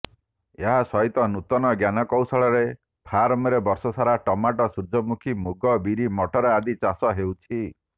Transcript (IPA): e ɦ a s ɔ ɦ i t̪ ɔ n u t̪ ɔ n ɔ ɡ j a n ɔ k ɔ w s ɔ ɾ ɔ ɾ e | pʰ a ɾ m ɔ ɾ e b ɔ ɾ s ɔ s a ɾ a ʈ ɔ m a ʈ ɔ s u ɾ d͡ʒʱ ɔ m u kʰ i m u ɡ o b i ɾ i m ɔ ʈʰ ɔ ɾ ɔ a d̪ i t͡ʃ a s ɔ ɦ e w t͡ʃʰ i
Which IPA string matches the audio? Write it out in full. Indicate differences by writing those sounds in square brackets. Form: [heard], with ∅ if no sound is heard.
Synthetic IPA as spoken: e ɦ a s ɔ ɦ i t̪ ɔ n u t̪ ɔ n ɔ ɡ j a n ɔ k ɔ w s ɔ [ɭ] ɔ ɾ e | pʰ a ɾ m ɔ ɾ e b ɔ ɾ s ɔ s a ɾ a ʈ ɔ m a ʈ ɔ s u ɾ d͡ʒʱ ɔ m u kʰ i m u ɡ [ɔ] b i ɾ i m ɔ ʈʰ ɔ ɾ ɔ a d̪ i t͡ʃ a s ɔ ɦ e w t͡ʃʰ i